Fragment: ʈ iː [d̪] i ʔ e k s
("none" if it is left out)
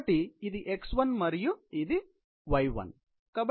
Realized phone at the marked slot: d̪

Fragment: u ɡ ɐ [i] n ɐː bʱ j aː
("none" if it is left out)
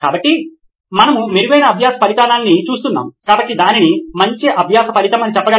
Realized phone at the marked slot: j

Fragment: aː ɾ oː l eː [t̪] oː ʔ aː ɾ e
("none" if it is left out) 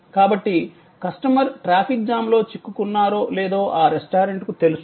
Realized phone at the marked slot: d̪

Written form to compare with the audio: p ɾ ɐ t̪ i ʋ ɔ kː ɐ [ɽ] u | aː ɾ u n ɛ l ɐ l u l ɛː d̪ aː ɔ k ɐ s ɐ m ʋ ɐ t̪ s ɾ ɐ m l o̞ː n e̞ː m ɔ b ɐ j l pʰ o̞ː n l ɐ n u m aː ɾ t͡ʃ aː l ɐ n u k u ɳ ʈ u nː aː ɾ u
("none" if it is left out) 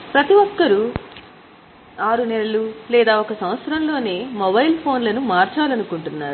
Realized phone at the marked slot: ɾ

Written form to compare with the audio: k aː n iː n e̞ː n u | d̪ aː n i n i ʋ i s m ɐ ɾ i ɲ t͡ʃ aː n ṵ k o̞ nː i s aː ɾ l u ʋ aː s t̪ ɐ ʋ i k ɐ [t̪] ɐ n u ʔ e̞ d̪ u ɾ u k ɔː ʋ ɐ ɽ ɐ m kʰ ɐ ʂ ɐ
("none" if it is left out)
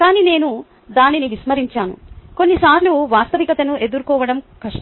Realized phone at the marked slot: t̪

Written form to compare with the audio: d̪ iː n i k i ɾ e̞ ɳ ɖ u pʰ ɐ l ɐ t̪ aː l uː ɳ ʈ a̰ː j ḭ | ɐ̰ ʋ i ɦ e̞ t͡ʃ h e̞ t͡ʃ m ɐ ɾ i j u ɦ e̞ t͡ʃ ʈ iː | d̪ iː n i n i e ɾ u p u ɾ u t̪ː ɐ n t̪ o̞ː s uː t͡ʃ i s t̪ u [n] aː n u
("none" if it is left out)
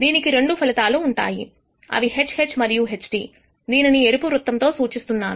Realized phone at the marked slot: nː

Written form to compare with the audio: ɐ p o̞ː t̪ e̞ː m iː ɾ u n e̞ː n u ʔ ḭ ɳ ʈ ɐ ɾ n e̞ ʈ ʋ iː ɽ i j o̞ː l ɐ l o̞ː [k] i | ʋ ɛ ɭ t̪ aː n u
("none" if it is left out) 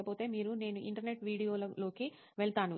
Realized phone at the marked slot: k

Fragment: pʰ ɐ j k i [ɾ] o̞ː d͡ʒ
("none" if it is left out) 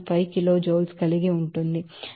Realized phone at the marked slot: l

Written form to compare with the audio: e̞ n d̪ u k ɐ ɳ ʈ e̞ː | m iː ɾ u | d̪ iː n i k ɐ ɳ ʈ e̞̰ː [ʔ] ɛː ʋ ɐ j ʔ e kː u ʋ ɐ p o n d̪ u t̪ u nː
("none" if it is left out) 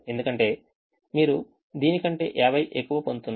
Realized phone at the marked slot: ʔ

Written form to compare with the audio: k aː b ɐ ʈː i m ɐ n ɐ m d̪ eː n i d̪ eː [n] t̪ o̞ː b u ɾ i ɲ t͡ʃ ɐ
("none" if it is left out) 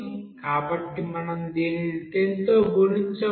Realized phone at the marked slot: n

